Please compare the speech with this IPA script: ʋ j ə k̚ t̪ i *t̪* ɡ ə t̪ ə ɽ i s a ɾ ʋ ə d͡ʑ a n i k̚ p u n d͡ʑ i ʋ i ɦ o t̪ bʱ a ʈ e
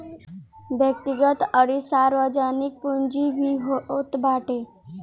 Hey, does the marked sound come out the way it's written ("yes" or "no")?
no